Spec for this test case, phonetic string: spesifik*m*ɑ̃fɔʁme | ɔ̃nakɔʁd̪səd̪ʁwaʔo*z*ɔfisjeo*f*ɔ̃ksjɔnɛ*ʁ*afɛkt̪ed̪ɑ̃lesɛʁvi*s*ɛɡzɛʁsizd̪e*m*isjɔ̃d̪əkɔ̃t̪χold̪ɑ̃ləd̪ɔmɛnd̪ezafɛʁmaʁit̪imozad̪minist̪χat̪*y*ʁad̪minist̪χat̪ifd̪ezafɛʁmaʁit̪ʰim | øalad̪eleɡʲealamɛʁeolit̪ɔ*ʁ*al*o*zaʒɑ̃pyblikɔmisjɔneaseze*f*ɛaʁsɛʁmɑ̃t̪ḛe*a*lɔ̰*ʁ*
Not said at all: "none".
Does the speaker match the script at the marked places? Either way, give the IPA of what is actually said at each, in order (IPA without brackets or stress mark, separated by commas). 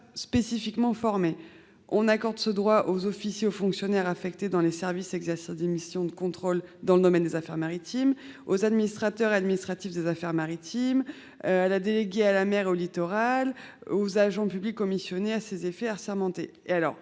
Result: m, z, f, ʁ, s, m, œ, ʁ, o, f, a, ʁ